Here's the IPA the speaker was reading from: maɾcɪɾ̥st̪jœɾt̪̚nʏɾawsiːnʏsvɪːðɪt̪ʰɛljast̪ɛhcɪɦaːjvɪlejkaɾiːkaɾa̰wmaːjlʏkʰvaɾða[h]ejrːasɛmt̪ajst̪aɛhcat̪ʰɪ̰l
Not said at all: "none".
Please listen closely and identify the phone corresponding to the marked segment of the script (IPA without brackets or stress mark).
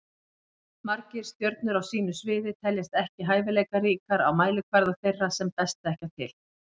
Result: θ